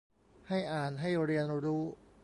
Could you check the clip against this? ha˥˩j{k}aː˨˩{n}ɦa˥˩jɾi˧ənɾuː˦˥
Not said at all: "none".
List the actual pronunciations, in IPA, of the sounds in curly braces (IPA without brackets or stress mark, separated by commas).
ʔ, n